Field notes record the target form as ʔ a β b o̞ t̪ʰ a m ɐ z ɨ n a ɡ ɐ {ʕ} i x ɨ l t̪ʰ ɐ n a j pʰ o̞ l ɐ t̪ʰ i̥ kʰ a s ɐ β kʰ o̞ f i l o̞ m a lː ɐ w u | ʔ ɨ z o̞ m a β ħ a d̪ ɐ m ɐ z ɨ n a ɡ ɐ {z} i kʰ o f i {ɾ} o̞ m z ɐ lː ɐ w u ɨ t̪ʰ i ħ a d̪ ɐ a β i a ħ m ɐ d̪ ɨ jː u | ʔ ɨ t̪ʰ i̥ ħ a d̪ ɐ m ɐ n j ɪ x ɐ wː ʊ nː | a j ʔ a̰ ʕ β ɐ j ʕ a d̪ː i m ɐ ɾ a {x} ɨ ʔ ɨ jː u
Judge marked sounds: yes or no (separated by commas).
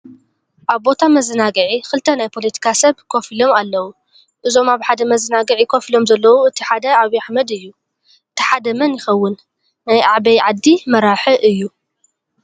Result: yes, no, no, no